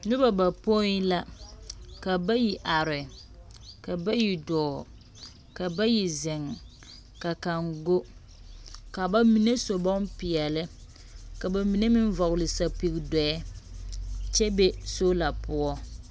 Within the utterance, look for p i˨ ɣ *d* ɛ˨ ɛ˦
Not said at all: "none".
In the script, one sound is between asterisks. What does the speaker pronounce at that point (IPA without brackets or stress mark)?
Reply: d